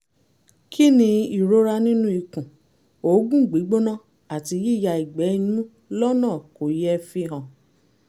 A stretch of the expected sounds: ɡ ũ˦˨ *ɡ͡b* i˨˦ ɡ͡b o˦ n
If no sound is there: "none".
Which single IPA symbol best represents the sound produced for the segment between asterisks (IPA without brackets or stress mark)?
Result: ɡ͡b